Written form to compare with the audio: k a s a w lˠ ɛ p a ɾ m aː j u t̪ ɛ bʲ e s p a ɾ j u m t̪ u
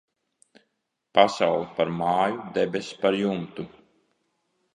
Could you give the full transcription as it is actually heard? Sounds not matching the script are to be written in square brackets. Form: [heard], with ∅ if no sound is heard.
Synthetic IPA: [p] a s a w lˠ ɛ p a ɾ m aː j u [d̪] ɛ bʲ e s p a ɾ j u m t̪ u

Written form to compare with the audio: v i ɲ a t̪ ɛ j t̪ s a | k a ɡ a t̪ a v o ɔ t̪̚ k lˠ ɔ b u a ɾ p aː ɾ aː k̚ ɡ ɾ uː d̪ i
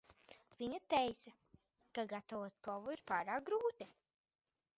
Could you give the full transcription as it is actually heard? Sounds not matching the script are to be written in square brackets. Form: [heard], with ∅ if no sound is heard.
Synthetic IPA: v i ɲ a t̪ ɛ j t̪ s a | k a ɡ a t̪ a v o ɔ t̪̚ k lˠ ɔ [v] u [i] ɾ p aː ɾ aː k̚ ɡ ɾ uː [t̪] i

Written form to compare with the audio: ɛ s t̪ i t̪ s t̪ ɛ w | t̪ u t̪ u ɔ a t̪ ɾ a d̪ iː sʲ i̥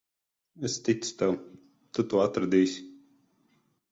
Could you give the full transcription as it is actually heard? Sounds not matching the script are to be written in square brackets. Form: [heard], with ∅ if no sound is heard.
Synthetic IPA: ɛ s t̪ i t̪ s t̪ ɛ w | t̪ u t̪ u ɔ a t̪ ɾ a d̪ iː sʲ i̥

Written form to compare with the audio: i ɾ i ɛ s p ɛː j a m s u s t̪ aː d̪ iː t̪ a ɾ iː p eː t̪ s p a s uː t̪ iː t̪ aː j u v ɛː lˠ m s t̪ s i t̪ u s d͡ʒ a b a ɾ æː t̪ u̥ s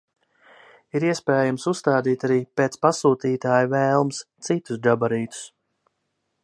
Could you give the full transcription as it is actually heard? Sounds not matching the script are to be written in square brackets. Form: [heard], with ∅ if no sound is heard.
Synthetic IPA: i ɾ i ɛ s p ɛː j a m s u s t̪ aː d̪ iː t̪ a ɾ iː p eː t̪ s p a s uː t̪ iː t̪ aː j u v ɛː lˠ m s t̪ s i t̪ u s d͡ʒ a b a ɾ [iː] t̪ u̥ s

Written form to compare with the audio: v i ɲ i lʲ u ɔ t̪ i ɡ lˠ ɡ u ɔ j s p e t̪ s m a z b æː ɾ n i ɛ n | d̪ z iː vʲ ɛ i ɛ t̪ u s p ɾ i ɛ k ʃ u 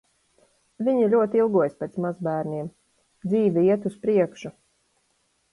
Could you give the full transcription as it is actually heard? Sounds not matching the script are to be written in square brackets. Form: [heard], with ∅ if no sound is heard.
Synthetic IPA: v i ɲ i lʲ u ɔ t̪ i [∅] lˠ ɡ u ɔ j s p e t̪ s m a z b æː ɾ n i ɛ [m] | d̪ z iː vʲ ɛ i ɛ t̪ u s p ɾ i ɛ k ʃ u

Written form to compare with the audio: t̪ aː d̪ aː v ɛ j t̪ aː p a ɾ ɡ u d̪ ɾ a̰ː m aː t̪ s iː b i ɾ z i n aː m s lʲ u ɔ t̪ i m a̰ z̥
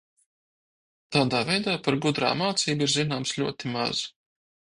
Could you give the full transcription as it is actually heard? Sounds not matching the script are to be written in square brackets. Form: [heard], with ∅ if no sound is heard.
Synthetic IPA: t̪ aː d̪ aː v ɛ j [d̪] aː p a ɾ ɡ u d̪ ɾ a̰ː m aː t̪ s iː b i ɾ z i n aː m s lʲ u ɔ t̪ i m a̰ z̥

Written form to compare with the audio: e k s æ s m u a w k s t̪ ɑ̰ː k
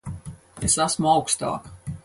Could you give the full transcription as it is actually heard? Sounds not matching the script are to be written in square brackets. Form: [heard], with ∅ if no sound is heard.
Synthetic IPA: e [∅] s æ s m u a w k s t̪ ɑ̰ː k

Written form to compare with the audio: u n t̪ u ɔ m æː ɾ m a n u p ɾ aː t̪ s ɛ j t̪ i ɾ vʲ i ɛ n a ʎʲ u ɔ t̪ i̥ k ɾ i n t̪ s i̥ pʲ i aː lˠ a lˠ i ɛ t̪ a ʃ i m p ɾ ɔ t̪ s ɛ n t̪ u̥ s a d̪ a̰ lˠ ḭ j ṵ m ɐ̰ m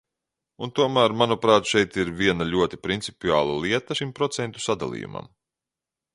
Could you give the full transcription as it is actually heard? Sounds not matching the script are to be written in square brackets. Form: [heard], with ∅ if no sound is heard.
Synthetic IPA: u n t̪ u ɔ m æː ɾ m a n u p ɾ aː t̪ [ʃ] ɛ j t̪ i ɾ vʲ i ɛ n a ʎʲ u ɔ t̪ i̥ [p] ɾ i n t̪ s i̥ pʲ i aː lˠ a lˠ i ɛ t̪ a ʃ i m p ɾ ɔ t̪ s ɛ n t̪ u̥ s a d̪ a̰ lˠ ḭ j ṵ m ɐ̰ m

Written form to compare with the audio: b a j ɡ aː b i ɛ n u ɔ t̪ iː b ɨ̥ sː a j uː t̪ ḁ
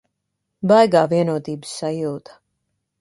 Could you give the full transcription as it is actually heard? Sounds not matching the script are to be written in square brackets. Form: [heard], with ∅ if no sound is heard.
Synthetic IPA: b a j ɡ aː [v] i ɛ n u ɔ t̪ iː b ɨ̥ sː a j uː t̪ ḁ

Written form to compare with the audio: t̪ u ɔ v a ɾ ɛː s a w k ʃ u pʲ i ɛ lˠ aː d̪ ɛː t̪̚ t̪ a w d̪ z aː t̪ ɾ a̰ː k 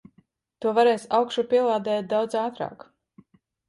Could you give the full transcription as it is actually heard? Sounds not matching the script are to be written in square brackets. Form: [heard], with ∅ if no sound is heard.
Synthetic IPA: t̪ u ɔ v a ɾ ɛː s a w k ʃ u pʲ i ɛ lˠ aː d̪ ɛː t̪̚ [d̪] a w d̪ z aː t̪ ɾ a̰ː k

